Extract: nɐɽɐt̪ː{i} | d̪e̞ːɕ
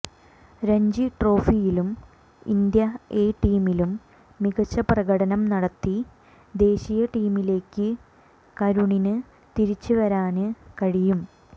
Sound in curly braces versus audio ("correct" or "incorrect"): correct